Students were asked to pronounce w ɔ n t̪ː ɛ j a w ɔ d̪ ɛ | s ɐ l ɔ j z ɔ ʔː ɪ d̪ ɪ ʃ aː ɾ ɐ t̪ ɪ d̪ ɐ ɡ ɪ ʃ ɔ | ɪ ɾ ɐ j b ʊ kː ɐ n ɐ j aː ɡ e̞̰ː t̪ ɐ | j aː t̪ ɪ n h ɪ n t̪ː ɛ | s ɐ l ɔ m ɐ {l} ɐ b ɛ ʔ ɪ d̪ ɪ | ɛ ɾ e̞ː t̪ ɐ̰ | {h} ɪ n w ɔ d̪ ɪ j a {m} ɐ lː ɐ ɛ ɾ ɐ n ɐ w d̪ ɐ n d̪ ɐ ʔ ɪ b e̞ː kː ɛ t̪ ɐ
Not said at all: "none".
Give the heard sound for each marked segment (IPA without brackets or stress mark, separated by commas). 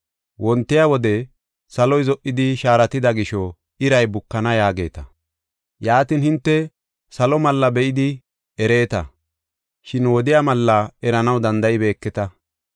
lː, ʃ, m